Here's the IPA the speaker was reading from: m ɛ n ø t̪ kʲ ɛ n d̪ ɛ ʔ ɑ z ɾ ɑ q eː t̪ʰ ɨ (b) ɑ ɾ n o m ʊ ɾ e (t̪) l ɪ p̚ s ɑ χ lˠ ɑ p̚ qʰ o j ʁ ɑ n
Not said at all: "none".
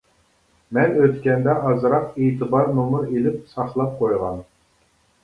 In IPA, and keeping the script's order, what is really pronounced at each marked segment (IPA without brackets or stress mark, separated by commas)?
b, none